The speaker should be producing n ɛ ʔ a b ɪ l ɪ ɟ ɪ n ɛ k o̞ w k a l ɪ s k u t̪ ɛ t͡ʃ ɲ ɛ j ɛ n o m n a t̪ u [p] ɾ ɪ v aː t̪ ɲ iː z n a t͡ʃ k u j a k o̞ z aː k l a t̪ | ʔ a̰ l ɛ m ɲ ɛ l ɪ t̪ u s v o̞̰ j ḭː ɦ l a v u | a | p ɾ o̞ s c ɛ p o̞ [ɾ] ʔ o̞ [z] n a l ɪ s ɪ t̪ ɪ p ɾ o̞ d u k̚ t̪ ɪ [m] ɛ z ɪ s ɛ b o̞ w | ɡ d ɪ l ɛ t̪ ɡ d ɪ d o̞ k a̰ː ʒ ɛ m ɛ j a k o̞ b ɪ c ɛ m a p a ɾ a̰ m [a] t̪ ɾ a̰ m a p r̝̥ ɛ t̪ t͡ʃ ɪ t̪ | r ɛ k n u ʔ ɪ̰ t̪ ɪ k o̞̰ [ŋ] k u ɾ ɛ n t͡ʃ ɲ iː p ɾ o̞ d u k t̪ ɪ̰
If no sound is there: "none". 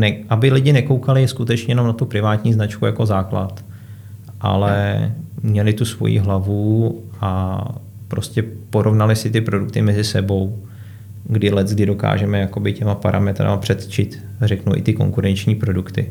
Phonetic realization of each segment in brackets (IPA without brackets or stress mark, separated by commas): p, ɾ, v, m, ɛ, ŋ